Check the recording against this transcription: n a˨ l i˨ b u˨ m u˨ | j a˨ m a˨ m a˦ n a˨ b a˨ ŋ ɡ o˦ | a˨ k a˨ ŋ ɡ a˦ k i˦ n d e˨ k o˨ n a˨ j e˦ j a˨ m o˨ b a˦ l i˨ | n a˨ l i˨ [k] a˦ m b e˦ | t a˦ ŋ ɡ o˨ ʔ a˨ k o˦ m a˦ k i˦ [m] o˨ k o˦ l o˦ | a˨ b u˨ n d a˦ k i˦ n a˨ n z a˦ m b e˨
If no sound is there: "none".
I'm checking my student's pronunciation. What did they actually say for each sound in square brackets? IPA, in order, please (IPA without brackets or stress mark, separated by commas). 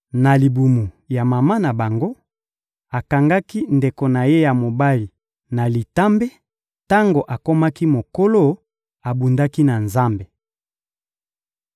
t, m